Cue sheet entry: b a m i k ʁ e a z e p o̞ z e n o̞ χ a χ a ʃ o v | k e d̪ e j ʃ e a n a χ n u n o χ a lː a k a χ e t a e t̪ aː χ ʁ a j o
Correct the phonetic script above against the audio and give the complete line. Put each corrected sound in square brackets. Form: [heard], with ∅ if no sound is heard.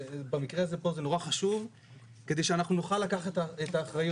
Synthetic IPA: b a m i k ʁ e a z e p o̞ z e n o̞ [ʁ] a χ a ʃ [u] v | k e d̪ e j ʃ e a n a χ n u n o χ a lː a k a χ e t a e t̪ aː χ ʁ a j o